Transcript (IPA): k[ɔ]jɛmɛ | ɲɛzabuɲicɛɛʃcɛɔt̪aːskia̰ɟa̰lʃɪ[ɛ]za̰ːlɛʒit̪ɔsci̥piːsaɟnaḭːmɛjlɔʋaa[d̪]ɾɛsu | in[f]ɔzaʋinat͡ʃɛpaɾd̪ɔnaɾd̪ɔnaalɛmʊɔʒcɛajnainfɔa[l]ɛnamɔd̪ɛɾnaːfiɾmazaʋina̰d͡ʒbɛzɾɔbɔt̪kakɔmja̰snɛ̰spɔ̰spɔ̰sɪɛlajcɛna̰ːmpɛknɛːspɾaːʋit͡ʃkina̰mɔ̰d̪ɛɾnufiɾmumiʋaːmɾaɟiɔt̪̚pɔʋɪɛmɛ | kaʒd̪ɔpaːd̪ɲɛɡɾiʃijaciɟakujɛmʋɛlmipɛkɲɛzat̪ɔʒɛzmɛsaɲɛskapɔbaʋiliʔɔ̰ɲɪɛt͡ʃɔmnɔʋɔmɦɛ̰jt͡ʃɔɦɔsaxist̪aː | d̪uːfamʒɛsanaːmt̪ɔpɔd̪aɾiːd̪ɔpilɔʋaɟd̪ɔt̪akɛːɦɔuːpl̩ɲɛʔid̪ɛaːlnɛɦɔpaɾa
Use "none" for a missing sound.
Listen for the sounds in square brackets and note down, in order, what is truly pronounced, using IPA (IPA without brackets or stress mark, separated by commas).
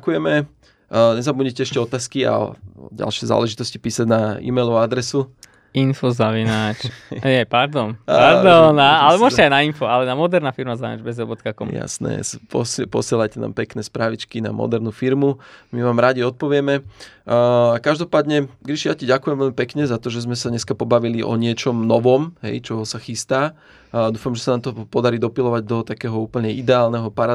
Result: u, ɛ, d̪, f, l